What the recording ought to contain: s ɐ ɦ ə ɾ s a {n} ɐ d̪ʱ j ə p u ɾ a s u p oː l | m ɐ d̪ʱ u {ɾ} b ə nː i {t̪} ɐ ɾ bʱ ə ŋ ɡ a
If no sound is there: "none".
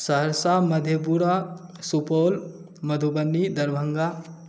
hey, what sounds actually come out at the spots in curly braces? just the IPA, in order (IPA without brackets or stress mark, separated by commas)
m, none, d̪